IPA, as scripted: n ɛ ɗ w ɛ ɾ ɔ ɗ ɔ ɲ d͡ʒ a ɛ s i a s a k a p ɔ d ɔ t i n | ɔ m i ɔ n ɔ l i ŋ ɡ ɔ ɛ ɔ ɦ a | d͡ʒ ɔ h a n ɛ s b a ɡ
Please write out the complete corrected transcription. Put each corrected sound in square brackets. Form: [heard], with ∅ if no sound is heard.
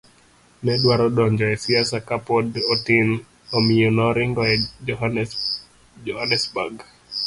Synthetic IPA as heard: n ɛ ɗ w [a] ɾ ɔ ɗ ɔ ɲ d͡ʒ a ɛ s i a s a k a p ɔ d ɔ t i n | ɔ m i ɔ n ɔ [ɾ] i ŋ ɡ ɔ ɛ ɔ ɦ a | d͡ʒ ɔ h a n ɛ s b a ɡ